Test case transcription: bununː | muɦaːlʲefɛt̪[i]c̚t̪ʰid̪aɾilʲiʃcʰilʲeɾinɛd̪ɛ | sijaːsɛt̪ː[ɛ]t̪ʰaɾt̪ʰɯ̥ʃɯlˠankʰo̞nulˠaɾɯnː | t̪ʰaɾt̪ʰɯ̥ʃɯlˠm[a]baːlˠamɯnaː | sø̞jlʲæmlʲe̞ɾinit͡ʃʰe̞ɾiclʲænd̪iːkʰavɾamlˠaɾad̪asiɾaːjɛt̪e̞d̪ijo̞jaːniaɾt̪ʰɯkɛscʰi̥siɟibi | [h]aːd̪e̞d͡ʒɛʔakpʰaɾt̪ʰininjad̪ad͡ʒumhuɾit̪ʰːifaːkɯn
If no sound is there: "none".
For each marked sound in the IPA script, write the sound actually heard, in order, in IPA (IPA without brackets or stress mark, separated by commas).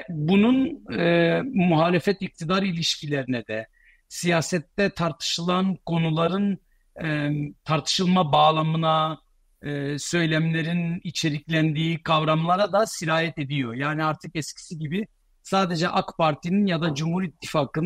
i, ɛ, a, s